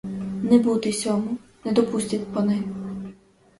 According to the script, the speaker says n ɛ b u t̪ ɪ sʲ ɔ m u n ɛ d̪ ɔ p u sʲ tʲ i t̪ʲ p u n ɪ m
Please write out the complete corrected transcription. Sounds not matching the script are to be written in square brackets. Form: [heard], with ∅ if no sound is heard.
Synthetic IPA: n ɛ b u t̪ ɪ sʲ ɔ m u n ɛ d̪ ɔ p u sʲ tʲ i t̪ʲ p [ɔ] n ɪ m